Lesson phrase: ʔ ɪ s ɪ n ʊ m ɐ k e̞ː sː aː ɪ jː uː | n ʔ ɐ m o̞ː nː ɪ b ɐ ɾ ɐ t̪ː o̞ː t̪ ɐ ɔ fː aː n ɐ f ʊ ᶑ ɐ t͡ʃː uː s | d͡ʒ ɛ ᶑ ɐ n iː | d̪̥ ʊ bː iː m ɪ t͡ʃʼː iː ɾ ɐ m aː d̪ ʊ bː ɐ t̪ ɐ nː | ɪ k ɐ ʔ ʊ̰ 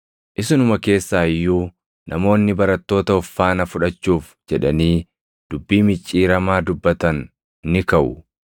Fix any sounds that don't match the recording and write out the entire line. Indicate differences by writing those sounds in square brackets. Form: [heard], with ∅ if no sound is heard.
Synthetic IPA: ʔ ɪ s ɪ n ʊ m ɐ k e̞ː sː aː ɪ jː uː | n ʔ ɐ m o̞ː nː ɪ b ɐ ɾ ɐ t̪ː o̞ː t̪ ɐ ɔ fː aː n ɐ f ʊ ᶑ ɐ t͡ʃː uː [f] | d͡ʒ ɛ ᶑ ɐ n iː | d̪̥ ʊ bː iː m ɪ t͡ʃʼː iː ɾ ɐ m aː d̪ ʊ bː ɐ t̪ ɐ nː | ɪ k ɐ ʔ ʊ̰

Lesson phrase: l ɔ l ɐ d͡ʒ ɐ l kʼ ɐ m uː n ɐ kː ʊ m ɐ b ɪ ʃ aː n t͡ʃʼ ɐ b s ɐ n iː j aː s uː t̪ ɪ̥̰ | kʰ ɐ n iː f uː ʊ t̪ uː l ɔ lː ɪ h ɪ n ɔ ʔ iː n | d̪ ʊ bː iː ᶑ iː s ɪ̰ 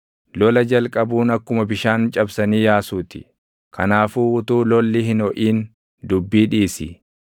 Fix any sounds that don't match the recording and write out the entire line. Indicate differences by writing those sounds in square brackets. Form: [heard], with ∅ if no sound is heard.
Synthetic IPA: l ɔ l ɐ d͡ʒ ɐ l kʼ ɐ [b] uː n ɐ kː ʊ m ɐ b ɪ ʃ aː n t͡ʃʼ ɐ b s ɐ n iː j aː s uː t̪ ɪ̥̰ | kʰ ɐ n [aː] f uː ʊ t̪ uː l ɔ lː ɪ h ɪ n ɔ ʔ iː n | d̪ ʊ bː iː ᶑ iː s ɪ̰

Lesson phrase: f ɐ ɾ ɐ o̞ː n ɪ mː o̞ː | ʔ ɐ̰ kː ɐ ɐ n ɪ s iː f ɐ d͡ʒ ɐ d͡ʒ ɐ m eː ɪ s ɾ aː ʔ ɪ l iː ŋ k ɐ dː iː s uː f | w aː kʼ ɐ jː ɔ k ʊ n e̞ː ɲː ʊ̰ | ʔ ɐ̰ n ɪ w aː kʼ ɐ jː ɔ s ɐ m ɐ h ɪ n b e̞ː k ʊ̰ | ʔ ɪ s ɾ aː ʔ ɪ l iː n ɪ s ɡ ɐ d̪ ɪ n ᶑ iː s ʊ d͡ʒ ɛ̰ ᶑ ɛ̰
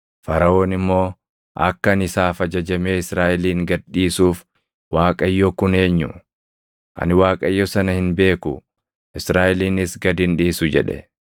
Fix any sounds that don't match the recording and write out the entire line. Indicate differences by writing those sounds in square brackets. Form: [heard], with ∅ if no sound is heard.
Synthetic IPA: f ɐ ɾ ɐ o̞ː n ɪ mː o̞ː | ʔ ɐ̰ kː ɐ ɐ n ɪ s [aː] f ɐ d͡ʒ ɐ d͡ʒ ɐ m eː ɪ s ɾ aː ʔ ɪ l iː ŋ [ɡ] ɐ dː iː s uː f | w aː kʼ ɐ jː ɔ k ʊ n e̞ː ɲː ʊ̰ | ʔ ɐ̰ n ɪ w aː kʼ ɐ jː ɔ s ɐ [n] ɐ h ɪ n b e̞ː k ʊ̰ | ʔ ɪ s ɾ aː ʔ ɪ l iː n ɪ s ɡ ɐ d̪ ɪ n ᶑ iː s ʊ d͡ʒ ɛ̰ ᶑ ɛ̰

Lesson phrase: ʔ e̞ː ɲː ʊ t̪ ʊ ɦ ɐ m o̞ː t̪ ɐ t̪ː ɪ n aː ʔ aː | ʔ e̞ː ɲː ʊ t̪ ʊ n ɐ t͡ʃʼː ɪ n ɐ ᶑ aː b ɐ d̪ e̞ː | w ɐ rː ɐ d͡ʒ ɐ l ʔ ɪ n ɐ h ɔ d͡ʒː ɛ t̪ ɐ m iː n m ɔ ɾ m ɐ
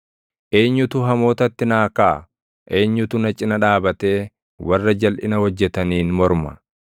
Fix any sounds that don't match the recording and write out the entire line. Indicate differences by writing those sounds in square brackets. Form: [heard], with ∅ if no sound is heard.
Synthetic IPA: ʔ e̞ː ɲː ʊ t̪ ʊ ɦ ɐ m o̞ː t̪ ɐ t̪ː ɪ n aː [k] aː | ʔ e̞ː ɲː ʊ t̪ ʊ n ɐ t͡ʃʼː ɪ n ɐ ᶑ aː b ɐ [t̪] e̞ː | w ɐ rː ɐ d͡ʒ ɐ l ʔ ɪ n ɐ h ɔ d͡ʒː ɛ t̪ ɐ [n] iː n m ɔ ɾ m ɐ

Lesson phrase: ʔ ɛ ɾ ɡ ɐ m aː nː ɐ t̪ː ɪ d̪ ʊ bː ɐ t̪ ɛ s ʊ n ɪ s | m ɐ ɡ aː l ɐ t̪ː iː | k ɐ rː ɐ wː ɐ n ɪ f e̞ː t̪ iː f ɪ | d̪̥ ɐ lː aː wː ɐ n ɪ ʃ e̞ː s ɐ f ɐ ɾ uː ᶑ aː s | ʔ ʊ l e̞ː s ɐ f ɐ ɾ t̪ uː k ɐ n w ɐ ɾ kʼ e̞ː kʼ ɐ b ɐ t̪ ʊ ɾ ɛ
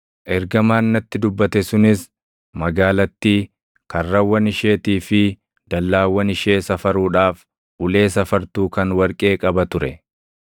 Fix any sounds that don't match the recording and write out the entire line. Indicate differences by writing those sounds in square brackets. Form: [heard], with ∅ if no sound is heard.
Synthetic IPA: ʔ ɛ ɾ ɡ ɐ m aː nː ɐ t̪ː ɪ d̪ ʊ bː ɐ t̪ ɛ s ʊ n ɪ s | m ɐ ɡ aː l ɐ t̪ː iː | k ɐ rː ɐ wː ɐ n ɪ [ʃ] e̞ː t̪ iː f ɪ | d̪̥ ɐ lː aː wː ɐ n ɪ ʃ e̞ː s ɐ f ɐ ɾ uː ᶑ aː [f] | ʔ ʊ l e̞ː s ɐ f ɐ ɾ t̪ uː k ɐ n w ɐ ɾ kʼ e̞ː kʼ ɐ b ɐ t̪ ʊ ɾ ɛ

